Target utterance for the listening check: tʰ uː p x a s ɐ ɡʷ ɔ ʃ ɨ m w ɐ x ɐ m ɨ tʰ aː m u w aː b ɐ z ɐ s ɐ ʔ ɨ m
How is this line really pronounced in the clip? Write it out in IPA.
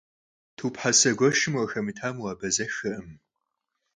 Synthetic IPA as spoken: tʰ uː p ħ a s ɐ ɡʷ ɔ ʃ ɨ m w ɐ x ɐ m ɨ tʰ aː m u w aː b ɐ z ɐ x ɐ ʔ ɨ m